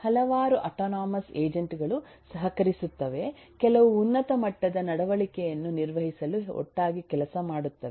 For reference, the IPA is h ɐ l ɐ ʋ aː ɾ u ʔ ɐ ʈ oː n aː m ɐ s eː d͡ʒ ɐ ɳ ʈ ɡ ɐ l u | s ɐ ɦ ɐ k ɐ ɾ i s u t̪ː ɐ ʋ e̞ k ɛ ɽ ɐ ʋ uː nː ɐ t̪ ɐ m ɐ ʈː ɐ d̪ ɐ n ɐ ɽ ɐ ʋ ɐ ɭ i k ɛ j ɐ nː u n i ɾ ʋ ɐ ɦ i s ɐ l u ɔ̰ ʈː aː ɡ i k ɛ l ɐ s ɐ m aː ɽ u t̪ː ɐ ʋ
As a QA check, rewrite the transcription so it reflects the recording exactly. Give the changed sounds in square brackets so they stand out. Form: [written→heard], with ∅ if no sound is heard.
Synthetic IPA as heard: h ɐ l ɐ ʋ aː ɾ u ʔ ɐ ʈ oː n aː m ɐ s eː d͡ʒ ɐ ɳ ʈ ɡ ɐ [l→ɭ] u | s ɐ ɦ ɐ k ɐ ɾ i s u t̪ː ɐ ʋ e̞ k ɛ [ɽ→l] ɐ ʋ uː nː ɐ t̪ ɐ m ɐ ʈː ɐ d̪ ɐ n ɐ ɽ ɐ ʋ ɐ ɭ i k ɛ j ɐ nː u n i ɾ ʋ ɐ ɦ i s ɐ l u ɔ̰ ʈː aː ɡ i k ɛ l ɐ s ɐ m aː ɽ u t̪ː ɐ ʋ